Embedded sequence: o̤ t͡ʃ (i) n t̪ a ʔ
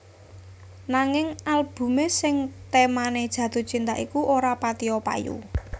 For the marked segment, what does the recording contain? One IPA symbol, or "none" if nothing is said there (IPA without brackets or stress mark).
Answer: i